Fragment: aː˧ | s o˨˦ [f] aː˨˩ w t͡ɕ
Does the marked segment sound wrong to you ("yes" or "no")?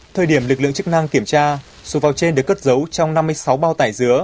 yes